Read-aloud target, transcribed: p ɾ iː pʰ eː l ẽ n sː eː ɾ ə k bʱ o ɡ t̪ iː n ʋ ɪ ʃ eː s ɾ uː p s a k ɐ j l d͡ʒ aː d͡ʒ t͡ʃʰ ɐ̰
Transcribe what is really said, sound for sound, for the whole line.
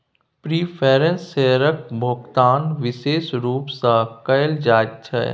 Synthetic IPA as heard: p ɾ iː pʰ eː ɾ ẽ n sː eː ɾ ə k bʱ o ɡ t̪ aː n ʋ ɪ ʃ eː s ɾ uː p s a k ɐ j l d͡ʒ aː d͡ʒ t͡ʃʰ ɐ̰